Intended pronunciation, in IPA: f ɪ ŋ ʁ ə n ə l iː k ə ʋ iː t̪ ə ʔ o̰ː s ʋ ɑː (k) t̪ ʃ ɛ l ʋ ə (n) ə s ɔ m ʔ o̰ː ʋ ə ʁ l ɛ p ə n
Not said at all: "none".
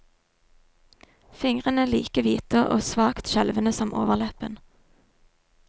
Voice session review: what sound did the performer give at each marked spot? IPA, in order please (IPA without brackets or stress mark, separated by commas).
k, n